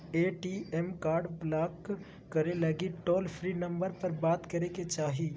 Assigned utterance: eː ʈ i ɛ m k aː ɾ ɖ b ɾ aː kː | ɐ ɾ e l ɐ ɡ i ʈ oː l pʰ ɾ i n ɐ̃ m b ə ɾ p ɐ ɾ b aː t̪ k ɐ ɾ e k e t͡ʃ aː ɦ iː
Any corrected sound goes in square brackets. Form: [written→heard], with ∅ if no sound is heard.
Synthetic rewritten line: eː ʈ i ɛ m k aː ɾ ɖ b [ɾ→l] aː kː | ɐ ɾ e l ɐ ɡ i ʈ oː l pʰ ɾ i n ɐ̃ m b ə ɾ p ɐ ɾ b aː t̪ k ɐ ɾ e k e t͡ʃ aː ɦ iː